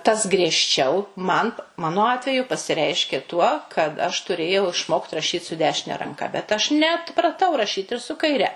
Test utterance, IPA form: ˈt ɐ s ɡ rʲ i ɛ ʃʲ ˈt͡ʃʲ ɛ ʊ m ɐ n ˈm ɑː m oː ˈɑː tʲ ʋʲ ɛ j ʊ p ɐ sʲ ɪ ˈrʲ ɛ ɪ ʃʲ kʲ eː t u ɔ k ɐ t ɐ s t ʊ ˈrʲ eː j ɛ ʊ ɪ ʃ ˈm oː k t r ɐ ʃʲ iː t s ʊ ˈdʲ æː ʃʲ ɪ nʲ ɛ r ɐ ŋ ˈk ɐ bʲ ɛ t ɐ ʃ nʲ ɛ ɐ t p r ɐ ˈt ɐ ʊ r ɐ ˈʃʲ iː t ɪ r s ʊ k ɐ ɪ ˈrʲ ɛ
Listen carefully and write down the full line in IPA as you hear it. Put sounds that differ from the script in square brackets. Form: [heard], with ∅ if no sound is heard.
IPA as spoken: ˈt ɐ s ɡ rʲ i ɛ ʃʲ ˈt͡ʃʲ ɛ ʊ m ɐ n ˈm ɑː [n] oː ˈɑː tʲ ʋʲ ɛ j ʊ p ɐ sʲ ɪ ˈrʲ ɛ ɪ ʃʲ kʲ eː t u ɔ k ɐ t ɐ [ʃ] t ʊ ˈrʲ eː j ɛ ʊ ɪ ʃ ˈm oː k t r ɐ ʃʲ iː t s ʊ ˈdʲ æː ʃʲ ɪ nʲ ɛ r ɐ ŋ ˈk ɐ bʲ ɛ t ɐ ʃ nʲ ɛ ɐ t p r ɐ ˈt ɐ ʊ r ɐ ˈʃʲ iː t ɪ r s ʊ k ɐ ɪ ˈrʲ ɛ